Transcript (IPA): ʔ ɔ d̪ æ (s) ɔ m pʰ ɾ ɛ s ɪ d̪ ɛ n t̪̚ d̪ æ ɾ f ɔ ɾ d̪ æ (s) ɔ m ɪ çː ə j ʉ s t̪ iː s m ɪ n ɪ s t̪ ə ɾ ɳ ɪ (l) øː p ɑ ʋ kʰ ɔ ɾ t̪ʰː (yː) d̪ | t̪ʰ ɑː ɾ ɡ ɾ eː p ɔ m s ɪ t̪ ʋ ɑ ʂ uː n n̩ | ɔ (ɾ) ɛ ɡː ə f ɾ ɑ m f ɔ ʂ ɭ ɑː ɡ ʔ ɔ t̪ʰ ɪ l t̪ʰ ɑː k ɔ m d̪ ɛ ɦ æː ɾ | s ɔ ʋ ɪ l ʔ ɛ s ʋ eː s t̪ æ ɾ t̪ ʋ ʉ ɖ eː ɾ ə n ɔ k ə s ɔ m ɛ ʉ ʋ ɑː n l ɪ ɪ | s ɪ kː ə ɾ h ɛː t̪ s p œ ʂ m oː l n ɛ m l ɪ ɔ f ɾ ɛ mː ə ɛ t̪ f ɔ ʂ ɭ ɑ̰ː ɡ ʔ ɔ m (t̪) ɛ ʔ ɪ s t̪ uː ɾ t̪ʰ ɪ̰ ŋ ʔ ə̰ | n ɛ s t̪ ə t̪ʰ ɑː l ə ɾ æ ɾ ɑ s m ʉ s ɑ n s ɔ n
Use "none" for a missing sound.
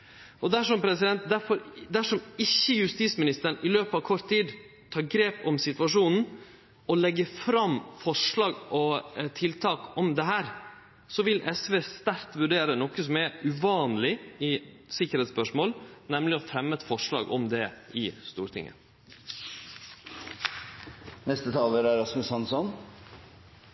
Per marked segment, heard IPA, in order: ʂ, ʂ, l, iː, l, d̪

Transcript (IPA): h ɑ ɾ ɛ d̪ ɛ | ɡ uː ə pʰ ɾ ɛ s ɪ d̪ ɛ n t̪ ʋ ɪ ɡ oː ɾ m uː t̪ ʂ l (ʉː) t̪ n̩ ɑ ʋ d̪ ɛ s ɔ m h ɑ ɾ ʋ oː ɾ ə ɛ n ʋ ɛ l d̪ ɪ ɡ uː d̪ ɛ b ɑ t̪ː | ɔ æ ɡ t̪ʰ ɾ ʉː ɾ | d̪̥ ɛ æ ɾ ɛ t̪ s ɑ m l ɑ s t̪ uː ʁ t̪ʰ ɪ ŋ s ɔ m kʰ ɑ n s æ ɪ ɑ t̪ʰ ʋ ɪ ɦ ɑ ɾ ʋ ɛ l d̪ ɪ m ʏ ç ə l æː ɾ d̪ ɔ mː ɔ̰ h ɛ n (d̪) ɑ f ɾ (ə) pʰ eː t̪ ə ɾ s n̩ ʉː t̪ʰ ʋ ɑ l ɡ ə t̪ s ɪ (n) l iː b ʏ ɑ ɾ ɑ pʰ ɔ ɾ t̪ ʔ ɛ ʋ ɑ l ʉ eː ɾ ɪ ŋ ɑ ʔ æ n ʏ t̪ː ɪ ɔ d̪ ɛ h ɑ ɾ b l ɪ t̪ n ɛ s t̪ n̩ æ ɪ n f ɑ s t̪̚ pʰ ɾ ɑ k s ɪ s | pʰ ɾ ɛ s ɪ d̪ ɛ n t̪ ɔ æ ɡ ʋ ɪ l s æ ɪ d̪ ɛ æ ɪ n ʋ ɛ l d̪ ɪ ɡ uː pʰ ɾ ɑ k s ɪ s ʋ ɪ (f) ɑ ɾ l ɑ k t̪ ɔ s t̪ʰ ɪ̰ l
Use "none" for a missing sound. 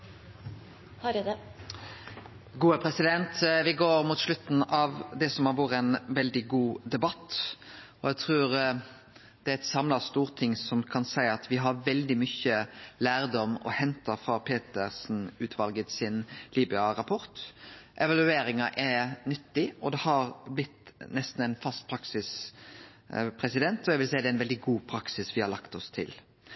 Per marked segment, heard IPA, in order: ʉ, t̪, ɑ, n, h

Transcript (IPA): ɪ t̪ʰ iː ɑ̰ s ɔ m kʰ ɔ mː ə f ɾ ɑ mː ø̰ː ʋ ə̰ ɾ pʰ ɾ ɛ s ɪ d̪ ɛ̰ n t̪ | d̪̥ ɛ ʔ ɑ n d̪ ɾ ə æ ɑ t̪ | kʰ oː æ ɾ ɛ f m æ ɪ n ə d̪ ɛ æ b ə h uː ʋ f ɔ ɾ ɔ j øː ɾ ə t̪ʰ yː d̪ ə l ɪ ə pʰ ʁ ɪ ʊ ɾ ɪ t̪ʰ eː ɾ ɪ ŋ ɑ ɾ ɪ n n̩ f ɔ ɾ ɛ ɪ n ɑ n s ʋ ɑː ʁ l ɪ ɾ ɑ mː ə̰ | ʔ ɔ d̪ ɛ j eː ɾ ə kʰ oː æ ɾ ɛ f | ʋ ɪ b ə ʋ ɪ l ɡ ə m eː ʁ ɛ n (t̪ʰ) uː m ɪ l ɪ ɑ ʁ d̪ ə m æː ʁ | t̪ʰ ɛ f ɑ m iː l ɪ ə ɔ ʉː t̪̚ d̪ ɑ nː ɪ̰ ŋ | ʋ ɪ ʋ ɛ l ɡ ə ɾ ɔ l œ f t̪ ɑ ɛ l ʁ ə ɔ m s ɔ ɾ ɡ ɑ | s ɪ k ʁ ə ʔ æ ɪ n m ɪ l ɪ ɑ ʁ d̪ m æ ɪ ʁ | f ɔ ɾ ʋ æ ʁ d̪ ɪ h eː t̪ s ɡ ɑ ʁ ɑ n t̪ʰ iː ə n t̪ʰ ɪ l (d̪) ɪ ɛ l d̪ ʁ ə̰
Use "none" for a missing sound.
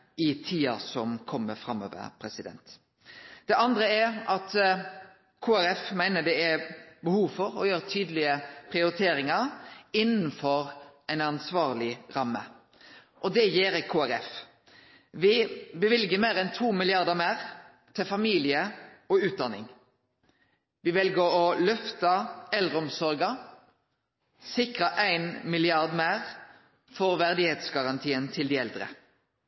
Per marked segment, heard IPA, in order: t̪ʰ, d̪

